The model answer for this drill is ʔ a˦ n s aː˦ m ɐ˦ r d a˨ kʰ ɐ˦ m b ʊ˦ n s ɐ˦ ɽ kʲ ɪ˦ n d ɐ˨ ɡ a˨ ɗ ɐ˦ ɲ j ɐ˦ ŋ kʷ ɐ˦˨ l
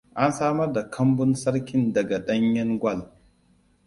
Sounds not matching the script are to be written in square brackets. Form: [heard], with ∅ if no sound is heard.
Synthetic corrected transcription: ʔ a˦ n s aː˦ m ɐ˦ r d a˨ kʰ ɐ˦ m b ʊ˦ n s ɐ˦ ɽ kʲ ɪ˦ n d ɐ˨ ɡ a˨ ɗ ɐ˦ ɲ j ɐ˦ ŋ [ɡʷ] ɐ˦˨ l